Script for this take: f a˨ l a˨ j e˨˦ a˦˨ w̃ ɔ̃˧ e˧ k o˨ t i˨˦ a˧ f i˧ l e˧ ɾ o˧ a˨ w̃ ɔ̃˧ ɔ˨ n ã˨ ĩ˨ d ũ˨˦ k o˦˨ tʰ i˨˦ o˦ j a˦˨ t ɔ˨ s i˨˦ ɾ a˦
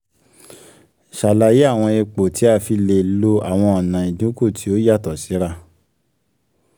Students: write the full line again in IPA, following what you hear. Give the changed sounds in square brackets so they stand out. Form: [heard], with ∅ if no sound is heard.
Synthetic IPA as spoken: [ʃ] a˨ l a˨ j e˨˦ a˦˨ w̃ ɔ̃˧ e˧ [k͡p] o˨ t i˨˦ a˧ f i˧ l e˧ [l] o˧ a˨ w̃ ɔ̃˧ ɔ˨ n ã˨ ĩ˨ d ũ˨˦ k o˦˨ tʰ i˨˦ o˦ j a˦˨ t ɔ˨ s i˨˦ ɾ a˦